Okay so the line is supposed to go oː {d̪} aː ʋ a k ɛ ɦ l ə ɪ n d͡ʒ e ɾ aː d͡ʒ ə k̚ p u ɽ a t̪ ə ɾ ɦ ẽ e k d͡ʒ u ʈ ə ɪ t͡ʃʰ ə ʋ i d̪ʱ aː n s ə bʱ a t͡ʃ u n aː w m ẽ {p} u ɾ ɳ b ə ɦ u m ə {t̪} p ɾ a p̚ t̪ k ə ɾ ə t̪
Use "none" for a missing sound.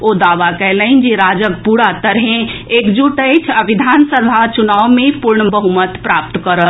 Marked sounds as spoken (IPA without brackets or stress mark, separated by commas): d̪, p, t̪